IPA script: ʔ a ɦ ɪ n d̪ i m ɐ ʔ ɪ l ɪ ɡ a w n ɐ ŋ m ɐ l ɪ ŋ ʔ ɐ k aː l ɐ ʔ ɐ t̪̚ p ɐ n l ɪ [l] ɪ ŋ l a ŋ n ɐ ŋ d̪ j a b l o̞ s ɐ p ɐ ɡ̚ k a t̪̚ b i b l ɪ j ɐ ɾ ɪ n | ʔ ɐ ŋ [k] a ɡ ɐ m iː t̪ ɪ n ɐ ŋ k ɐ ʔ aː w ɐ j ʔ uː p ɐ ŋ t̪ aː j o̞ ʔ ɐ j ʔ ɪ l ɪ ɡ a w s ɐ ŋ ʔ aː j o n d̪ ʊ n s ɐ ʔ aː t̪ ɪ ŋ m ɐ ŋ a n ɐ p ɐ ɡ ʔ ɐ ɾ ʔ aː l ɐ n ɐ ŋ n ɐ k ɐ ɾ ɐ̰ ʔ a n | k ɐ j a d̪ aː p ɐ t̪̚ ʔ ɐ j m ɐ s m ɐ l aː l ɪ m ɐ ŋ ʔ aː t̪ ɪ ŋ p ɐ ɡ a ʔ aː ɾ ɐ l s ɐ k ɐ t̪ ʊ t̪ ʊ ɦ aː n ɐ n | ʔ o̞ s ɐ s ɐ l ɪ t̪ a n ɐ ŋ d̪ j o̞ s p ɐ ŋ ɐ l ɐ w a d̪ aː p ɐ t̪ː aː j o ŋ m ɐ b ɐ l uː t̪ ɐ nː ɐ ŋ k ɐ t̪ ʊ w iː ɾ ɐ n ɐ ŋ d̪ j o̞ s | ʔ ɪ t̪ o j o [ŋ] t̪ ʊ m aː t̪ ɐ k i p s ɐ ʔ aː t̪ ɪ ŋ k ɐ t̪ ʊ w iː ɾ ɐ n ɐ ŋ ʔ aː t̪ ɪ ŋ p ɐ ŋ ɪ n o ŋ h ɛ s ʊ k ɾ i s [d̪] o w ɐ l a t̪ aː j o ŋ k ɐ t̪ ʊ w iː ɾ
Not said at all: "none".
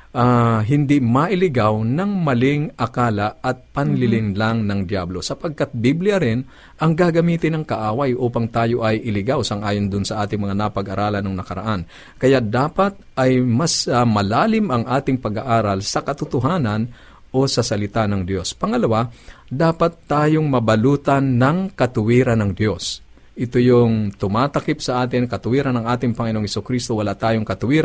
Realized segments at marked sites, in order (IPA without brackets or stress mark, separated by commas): l, ɡ, ŋ, t̪